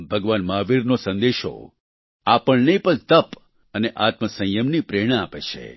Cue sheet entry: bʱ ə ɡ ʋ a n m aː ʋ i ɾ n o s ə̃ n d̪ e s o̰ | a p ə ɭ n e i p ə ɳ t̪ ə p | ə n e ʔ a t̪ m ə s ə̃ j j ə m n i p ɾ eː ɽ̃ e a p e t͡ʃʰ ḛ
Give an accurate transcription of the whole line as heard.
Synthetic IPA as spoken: bʱ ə ɡ ʋ a n m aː ʋ i ɾ n o s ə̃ n d̪ e ʃ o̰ | a p ə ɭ n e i p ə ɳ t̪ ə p | ə n e ʔ a t̪ m ə s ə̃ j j ə m n i p ɾ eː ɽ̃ a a p e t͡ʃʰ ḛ